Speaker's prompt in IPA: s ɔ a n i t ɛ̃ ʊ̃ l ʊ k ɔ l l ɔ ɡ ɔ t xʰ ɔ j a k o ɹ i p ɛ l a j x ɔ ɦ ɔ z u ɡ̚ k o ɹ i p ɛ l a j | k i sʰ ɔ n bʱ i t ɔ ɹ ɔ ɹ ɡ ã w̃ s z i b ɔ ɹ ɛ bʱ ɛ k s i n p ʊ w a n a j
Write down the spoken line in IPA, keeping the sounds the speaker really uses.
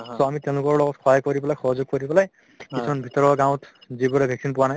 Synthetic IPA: s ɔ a m i t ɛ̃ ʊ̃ l ʊ k ɔ ɹ l ɔ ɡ ɔ t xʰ ɔ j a k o ɹ i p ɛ l a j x ɔ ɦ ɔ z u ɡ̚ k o ɹ i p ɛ l a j | k i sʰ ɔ n bʱ i t ɔ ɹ ɔ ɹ ɡ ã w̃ t z i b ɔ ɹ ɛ bʱ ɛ k s i n p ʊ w a n a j